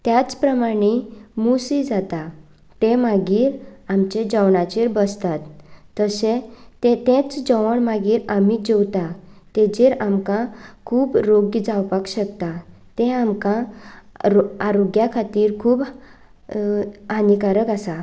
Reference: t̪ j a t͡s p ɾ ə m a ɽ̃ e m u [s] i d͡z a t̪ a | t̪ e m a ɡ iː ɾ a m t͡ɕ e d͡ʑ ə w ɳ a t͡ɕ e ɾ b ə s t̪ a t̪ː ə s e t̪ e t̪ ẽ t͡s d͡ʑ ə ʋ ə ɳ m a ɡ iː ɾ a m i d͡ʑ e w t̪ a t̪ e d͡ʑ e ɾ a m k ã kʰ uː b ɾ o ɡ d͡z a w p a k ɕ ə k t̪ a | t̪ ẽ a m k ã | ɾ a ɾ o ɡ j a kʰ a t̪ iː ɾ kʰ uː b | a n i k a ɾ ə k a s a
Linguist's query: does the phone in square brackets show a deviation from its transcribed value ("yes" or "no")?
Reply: no